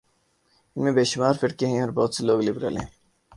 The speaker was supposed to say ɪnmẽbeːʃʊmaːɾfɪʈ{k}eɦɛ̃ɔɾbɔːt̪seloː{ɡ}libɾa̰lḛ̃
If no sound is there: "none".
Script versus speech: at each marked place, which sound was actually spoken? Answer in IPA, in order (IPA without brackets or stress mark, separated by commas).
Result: k, ɡ